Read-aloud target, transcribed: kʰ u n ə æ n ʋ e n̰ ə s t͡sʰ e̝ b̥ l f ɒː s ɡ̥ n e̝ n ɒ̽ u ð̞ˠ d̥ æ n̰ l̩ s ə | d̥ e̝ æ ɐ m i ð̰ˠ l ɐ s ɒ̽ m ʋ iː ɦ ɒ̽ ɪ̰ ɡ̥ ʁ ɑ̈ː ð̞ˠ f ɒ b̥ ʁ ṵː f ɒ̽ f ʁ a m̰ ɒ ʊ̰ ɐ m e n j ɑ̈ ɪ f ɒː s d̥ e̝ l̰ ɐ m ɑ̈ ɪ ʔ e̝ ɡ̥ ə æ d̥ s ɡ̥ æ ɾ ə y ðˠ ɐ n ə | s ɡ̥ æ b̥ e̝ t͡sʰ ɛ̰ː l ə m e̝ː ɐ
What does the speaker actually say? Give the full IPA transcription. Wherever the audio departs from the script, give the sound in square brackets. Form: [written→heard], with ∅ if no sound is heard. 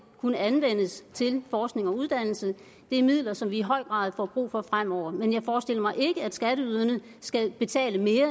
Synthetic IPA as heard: kʰ u n ə æ n ʋ e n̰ ə s t͡sʰ e̝ [b̥→∅] l f ɒː s ɡ̥ n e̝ [n→ŋ] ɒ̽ u ð̞ˠ d̥ æ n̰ l̩ s ə | d̥ e̝ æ ɐ m i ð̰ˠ l ɐ s ɒ̽ m ʋ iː ɦ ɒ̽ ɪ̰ ɡ̥ ʁ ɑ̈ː ð̞ˠ f ɒ b̥ ʁ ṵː f ɒ̽ f ʁ a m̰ ɒ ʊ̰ ɐ m e n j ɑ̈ ɪ f ɒː s d̥ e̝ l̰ ɐ m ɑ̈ ɪ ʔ e̝ ɡ̥ ə æ d̥ s ɡ̥ æ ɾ ə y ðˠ ɐ n ə | s ɡ̥ æ b̥ e̝ t͡sʰ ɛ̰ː l ə m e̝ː ɐ